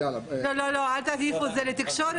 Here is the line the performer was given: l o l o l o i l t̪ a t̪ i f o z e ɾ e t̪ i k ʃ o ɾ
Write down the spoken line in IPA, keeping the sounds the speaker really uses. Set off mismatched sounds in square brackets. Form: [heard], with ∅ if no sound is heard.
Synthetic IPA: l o l o l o [a] l t̪ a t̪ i f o z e [l] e t̪ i k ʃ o ɾ